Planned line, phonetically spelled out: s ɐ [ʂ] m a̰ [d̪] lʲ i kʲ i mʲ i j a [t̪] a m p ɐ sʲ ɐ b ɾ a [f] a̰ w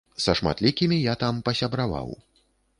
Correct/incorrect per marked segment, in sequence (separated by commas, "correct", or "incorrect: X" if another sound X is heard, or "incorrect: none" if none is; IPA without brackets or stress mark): correct, incorrect: t̪, correct, incorrect: v